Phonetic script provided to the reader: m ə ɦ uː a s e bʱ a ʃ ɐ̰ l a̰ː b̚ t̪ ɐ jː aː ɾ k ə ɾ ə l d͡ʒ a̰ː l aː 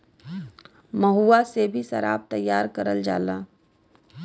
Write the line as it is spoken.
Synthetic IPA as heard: m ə ɦ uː a s e bʱ i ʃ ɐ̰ ɾ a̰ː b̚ t̪ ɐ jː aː ɾ k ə ɾ ə l d͡ʒ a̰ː l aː